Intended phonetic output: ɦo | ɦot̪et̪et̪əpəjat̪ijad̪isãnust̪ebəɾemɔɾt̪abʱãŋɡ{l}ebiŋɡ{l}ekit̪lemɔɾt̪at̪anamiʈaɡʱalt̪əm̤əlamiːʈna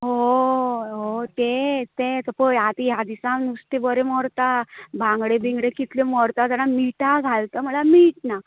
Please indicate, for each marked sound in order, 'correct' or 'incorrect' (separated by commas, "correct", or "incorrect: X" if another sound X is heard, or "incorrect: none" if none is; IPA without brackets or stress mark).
incorrect: ɽ, incorrect: ɽ